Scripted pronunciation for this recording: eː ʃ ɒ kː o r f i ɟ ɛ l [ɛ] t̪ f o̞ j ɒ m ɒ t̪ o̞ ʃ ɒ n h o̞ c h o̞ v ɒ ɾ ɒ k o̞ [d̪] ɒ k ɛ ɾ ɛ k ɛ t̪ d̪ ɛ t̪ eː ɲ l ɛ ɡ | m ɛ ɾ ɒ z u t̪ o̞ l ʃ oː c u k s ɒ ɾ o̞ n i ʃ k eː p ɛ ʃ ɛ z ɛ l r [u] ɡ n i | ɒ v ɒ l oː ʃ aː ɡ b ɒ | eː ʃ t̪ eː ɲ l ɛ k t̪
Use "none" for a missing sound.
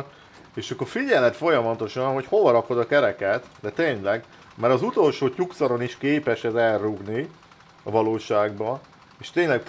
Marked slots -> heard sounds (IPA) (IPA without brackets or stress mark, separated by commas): ɛ, d̪, u